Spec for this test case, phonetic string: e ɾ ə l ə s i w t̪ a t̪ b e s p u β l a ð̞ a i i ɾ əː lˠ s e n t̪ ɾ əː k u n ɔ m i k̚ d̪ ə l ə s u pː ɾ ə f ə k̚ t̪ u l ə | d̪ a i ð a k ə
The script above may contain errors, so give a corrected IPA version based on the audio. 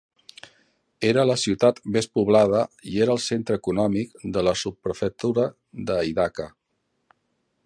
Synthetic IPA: e ɾ ə l ə s i w t̪ a t̪ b e s p u β l a ð̞ ə i e ɾ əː lˠ s e n t̪ ɾ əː k u n ɔ m i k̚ d̪ ə l ə s u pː ɾ ə f ə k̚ t̪ u ɾ ə | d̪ ə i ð a k ə